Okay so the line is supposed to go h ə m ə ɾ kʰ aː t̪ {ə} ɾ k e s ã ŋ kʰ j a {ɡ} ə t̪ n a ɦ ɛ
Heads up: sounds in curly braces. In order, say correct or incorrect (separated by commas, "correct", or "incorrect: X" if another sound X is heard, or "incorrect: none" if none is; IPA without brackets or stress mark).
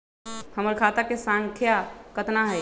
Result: correct, incorrect: k